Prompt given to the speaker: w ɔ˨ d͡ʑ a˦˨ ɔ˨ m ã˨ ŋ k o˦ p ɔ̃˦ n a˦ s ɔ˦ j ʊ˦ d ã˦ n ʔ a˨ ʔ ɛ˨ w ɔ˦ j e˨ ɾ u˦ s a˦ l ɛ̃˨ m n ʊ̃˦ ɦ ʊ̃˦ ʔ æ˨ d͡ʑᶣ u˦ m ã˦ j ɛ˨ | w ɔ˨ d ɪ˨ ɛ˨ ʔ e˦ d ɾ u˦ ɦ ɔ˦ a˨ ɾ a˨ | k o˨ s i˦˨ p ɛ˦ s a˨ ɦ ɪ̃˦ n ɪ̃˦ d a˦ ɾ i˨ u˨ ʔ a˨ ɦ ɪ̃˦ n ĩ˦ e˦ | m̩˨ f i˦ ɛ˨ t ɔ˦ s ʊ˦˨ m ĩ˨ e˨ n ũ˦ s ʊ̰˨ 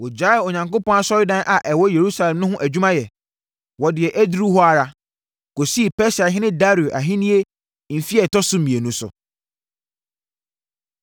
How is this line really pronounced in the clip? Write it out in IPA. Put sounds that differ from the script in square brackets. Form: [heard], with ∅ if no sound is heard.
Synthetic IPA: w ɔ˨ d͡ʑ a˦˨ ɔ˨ [ɲ] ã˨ ŋ k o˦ p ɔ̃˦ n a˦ s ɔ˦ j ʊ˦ d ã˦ n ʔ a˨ ʔ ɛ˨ w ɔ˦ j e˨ ɾ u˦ s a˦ l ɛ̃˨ m n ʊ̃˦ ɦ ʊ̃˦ ʔ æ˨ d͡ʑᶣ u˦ m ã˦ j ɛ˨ | w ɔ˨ d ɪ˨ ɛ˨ ʔ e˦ d ɾ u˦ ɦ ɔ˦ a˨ ɾ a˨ | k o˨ s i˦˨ p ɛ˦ s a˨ ɦ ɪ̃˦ n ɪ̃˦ d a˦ ɾ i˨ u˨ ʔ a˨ ɦ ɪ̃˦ n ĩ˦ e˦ | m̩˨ f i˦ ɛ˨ t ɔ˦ s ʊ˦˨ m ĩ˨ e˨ n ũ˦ s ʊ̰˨